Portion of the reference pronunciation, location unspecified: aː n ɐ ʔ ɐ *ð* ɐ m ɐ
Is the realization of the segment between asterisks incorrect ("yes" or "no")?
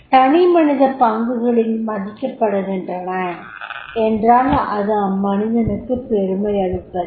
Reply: no